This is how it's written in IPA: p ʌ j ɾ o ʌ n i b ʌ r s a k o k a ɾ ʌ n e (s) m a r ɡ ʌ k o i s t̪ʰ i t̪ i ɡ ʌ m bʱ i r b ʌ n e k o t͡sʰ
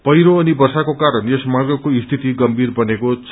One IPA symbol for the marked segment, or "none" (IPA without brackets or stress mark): s